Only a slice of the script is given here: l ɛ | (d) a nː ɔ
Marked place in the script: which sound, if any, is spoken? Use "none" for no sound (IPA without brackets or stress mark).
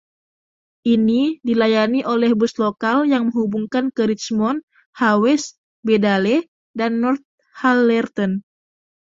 d